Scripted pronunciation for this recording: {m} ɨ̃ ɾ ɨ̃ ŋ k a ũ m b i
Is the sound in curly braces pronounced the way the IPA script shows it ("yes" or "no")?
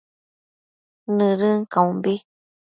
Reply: no